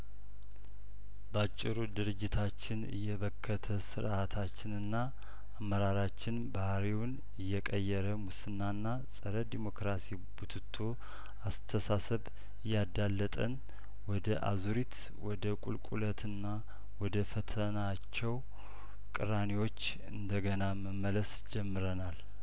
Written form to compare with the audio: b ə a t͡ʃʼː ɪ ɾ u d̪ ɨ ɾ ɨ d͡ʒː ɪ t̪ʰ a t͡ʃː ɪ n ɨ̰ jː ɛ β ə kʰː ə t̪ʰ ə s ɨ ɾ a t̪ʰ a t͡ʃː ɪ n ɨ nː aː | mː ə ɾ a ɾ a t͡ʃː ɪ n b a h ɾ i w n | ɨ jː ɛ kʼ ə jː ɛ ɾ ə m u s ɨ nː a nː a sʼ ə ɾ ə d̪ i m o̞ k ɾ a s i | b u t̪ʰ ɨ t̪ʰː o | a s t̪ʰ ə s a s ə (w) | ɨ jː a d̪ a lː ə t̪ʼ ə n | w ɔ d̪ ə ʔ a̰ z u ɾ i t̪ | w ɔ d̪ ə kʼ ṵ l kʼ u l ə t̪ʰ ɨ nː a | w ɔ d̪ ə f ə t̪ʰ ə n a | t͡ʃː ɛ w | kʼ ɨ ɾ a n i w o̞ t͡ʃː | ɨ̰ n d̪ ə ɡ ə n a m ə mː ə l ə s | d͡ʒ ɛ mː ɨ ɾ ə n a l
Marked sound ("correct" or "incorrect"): incorrect